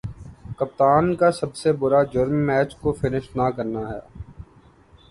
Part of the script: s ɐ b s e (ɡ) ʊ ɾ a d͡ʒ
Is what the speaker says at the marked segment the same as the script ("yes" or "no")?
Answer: no